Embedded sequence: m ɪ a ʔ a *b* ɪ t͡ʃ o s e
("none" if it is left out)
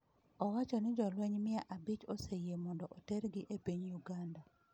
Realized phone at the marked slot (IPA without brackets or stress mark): b